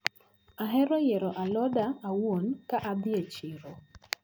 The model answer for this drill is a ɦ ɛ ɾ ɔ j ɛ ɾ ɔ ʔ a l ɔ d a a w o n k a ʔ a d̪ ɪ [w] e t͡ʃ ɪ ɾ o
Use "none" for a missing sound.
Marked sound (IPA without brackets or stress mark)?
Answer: none